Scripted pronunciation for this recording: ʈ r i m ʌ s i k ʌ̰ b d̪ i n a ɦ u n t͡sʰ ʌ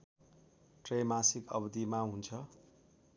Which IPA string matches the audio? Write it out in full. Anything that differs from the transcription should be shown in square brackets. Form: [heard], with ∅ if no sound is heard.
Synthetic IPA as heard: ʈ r [e] m [a] s i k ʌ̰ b d̪ i [m] a ɦ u n t͡sʰ ʌ

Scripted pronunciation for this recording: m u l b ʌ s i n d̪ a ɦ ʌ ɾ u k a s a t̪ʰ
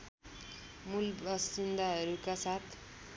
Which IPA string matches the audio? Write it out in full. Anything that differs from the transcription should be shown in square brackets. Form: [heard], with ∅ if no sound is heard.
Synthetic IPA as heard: m u l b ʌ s i n d̪ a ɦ ʌ ɾ u k a s a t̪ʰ

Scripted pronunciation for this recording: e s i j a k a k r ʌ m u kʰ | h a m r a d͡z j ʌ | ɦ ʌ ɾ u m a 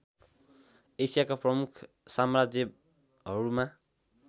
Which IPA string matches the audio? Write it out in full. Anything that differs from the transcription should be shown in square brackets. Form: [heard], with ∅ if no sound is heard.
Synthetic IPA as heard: e s i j a k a [p] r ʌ m u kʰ | [s] a m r a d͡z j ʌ | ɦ ʌ ɾ u m a

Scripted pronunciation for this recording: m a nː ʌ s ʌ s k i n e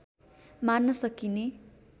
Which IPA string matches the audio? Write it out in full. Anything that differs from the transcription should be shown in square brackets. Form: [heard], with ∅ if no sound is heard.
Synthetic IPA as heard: m a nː ʌ s ʌ [∅] k i n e

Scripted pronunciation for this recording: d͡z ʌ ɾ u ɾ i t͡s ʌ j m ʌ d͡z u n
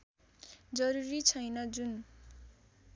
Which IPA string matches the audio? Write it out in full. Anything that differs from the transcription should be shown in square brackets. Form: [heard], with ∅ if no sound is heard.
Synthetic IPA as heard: d͡z ʌ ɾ u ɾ i [t͡sʰ] ʌ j [n] ʌ d͡z u n

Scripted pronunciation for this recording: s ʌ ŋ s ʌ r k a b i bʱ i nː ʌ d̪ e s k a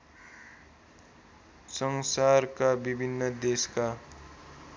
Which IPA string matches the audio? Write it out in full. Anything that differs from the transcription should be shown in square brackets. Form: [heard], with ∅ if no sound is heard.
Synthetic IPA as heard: s ʌ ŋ s [a] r k a b i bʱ i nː ʌ d̪ e s k a

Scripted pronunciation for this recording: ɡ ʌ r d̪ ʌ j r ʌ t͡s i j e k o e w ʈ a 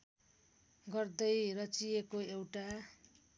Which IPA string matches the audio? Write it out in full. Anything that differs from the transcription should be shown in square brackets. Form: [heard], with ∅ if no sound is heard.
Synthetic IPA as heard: ɡ ʌ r d̪ ʌ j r ʌ t͡s i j e k o e w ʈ a

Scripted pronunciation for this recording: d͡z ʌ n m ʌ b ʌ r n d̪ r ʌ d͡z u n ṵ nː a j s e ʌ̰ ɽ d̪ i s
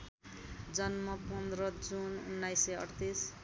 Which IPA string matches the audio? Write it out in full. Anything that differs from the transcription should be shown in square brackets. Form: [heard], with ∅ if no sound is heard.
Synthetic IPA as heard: d͡z ʌ n m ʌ [p] ʌ [∅] n d̪ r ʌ d͡z u n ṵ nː a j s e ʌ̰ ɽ [t̪] i s

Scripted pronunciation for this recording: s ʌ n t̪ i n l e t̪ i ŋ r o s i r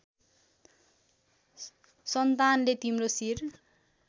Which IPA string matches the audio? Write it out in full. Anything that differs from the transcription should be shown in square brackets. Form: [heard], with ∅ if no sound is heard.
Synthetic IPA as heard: s ʌ n t̪ [a] n l e t̪ i [m] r o s i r

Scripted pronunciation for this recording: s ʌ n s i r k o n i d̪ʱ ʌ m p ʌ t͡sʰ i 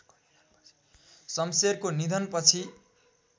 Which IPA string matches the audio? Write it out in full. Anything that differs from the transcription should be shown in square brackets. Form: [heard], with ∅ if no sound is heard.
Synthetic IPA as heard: s ʌ [m] s [e] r k o n i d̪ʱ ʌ [n] p ʌ t͡sʰ i

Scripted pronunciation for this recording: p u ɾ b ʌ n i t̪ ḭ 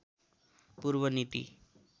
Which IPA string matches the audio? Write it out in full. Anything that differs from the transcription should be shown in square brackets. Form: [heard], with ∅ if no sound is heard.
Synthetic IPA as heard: p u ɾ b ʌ n i t̪ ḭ

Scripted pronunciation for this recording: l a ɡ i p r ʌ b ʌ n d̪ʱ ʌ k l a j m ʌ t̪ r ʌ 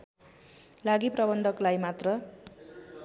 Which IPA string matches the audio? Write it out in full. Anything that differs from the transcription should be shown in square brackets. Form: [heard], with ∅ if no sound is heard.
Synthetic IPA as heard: l a ɡ i p r ʌ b ʌ n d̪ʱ ʌ k l a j m [a] t̪ r ʌ

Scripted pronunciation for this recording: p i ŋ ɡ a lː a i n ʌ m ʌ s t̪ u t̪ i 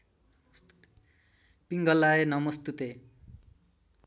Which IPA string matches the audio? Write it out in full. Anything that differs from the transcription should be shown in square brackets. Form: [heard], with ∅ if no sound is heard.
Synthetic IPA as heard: p i ŋ ɡ [ʌ] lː a [e] n ʌ m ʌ s t̪ u t̪ [e]

